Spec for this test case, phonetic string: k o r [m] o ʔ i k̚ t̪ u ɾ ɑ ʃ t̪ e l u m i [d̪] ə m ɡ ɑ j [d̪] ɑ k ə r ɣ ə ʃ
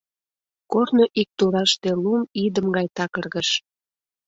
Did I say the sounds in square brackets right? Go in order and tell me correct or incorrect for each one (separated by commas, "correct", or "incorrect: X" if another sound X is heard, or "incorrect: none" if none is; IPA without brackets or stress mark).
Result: incorrect: n, correct, incorrect: t̪